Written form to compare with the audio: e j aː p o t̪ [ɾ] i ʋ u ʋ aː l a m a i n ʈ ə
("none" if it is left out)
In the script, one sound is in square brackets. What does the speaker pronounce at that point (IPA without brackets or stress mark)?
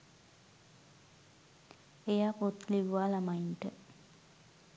l